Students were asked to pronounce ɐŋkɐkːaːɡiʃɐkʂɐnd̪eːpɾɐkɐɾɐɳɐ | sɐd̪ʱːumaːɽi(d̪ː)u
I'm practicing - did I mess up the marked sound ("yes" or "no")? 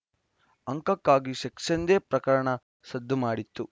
yes